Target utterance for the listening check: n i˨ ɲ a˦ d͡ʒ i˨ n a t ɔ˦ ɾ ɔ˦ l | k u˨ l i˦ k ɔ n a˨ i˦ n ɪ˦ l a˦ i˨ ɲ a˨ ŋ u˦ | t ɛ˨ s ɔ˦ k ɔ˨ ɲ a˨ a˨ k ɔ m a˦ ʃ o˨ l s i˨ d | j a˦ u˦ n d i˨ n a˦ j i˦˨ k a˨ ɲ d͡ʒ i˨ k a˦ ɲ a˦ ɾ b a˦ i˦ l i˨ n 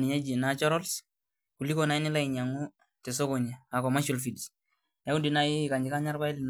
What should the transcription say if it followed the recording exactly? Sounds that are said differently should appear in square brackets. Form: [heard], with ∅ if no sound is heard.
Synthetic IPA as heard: n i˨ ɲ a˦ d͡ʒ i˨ n a [t͡ʃ] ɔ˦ ɾ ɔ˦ l | k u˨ l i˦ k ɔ n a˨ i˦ n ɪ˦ l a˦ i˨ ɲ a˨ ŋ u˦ | t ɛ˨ s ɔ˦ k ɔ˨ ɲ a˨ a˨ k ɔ m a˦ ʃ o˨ l [f] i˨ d | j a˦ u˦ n d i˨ n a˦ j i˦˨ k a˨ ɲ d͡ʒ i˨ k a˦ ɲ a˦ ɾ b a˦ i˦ l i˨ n